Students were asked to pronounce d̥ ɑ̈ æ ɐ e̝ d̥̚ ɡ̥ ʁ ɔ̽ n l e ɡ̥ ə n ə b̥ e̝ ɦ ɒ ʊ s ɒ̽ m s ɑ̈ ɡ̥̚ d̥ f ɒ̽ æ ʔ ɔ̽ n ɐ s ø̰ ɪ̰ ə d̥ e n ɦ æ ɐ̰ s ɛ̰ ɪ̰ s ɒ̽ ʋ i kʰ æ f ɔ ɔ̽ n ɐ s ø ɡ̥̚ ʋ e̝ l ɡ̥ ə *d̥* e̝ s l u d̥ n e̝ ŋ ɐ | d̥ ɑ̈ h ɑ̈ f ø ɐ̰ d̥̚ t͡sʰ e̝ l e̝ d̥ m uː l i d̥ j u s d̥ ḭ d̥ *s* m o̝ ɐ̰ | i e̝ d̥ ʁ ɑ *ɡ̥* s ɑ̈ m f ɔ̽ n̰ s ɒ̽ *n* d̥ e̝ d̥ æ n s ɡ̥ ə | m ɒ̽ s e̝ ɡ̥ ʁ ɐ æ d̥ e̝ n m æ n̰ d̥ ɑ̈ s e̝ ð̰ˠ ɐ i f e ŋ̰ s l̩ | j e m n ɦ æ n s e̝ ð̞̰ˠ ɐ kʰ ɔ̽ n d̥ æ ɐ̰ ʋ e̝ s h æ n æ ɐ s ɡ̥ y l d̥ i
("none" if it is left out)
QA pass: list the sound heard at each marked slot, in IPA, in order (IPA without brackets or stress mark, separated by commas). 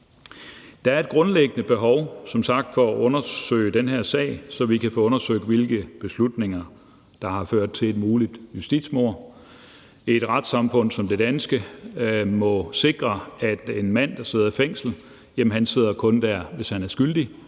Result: b̥, s, d̥, m